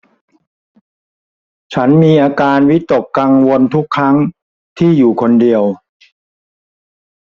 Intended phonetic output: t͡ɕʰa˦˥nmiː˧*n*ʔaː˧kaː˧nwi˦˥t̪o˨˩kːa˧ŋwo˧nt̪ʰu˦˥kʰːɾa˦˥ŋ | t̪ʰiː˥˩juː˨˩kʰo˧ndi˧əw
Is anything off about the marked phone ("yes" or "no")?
yes